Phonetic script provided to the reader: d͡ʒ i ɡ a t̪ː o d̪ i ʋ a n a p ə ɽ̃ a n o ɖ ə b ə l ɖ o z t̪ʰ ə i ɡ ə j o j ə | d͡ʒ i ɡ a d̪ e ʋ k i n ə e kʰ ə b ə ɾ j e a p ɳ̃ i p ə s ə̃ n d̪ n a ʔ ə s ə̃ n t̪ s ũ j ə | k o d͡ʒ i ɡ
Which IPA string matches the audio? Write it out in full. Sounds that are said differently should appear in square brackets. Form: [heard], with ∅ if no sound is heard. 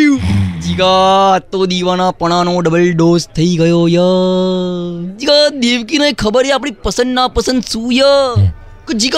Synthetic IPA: d͡ʒ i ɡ a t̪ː o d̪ i ʋ a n a p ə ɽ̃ a n o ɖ ə b ə l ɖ o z t̪ʰ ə i ɡ ə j o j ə | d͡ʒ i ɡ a d̪ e ʋ k i n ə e kʰ ə b ə ɾ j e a p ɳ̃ i p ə s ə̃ n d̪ n a [p] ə s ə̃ n [d̪] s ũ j ə | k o d͡ʒ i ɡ